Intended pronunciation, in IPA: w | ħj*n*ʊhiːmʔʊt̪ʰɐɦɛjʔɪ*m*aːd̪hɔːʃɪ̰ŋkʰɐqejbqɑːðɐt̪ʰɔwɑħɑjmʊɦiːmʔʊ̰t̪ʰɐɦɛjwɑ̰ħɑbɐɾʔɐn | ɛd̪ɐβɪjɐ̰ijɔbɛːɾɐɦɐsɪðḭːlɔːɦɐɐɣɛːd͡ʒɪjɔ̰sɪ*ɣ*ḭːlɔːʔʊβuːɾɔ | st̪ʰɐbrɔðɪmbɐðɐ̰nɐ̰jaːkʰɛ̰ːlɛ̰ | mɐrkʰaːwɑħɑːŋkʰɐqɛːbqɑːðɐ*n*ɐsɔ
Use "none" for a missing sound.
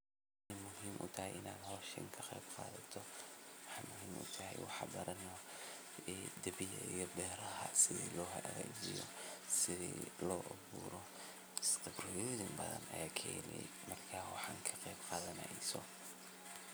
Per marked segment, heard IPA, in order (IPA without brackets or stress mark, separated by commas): m, n, ð, n